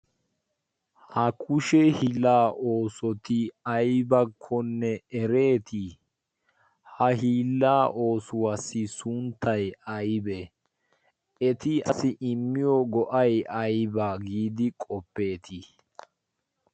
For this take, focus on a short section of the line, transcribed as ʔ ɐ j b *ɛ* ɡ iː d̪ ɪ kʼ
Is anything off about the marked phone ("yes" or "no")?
yes